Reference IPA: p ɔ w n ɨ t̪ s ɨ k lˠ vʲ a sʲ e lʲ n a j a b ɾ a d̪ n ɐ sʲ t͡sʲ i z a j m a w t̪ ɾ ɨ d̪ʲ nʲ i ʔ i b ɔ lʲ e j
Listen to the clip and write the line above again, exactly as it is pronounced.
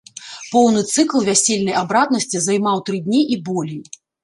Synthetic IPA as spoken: p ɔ w n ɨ t̪ s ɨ k lˠ vʲ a sʲ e lʲ n ɐ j a b ɾ a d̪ n ɐ sʲ t͡sʲ i z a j m a w t̪ ɾ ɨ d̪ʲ nʲ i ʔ i b ɔ lʲ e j